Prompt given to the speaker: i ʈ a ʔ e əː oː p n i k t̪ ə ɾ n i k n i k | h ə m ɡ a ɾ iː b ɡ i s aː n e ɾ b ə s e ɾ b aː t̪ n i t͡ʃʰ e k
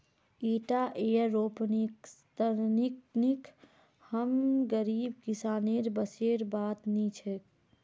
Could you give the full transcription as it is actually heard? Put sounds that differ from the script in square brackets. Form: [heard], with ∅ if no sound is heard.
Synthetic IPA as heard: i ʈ a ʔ e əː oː p n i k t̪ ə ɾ n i k n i k | h ə m ɡ [ə] ɾ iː b [k] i s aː n e ɾ b ə s e ɾ b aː t̪ n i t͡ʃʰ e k